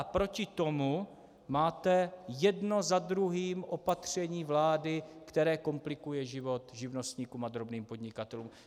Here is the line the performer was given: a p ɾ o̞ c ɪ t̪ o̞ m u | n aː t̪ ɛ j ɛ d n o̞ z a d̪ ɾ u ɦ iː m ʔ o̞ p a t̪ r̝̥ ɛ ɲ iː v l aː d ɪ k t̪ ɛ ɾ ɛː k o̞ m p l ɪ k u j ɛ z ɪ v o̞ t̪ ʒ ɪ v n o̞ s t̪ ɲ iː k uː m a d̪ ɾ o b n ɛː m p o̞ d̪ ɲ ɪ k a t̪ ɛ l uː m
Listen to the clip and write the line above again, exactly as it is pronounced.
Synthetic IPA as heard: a p ɾ o̞ c ɪ t̪ o̞ m u | m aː t̪ ɛ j ɛ d n o̞ z a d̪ ɾ u ɦ iː m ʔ o̞ p a t̪ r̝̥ ɛ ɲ iː v l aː d ɪ k t̪ ɛ ɾ ɛː k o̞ m p l ɪ k u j ɛ ʒ ɪ v o̞ t̪ ʒ ɪ v n o̞ s t̪ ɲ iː k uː m a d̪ ɾ o b n iː m p o̞ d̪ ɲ ɪ k a t̪ ɛ l uː m